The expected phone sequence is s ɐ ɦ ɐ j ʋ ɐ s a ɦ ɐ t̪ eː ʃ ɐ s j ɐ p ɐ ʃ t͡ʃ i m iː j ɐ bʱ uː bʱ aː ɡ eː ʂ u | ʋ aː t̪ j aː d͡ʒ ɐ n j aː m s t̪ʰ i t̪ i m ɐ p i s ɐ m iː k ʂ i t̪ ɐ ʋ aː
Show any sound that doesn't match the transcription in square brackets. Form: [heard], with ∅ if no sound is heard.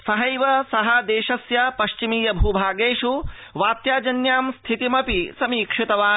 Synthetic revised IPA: s ɐ ɦ ɐ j ʋ ɐ s [ɐ] ɦ ɐ [d̪] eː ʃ ɐ s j ɐ p ɐ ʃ t͡ʃ i m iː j ɐ bʱ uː bʱ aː ɡ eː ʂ u | ʋ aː t̪ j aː d͡ʒ ɐ n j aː m s t̪ʰ i t̪ i m ɐ p i s ɐ m iː k ʂ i t̪ ɐ ʋ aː